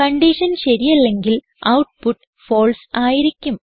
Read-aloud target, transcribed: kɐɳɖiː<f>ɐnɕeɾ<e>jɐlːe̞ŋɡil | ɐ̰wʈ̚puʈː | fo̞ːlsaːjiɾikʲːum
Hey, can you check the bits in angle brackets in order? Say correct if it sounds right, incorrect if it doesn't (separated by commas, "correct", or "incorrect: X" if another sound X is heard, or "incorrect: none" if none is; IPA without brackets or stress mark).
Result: incorrect: ʂ, incorrect: i